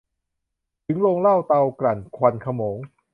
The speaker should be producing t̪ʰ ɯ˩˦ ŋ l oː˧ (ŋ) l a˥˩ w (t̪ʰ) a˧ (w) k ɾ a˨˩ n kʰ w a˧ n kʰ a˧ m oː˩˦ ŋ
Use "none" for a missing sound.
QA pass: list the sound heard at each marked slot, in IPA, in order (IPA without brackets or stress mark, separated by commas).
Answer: ŋ, t̪, w